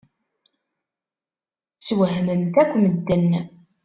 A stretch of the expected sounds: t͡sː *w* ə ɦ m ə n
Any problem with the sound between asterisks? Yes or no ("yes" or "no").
no